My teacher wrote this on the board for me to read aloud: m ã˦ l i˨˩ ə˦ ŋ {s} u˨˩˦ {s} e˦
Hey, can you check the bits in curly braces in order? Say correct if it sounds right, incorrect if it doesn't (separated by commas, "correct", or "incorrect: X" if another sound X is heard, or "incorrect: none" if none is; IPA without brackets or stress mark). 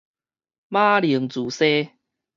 incorrect: t͡s, correct